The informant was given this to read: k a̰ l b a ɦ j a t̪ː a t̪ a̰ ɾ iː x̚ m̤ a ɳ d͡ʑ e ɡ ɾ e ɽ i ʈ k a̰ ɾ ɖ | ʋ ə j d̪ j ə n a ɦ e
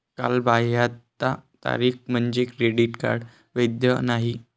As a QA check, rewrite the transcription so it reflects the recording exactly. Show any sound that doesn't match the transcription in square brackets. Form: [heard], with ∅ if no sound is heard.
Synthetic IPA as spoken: k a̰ l b a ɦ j a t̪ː a t̪ a̰ ɾ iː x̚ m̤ [ə] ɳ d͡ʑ e [k] ɾ e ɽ i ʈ k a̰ ɾ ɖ | ʋ ə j d̪ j ə n a ɦ [i]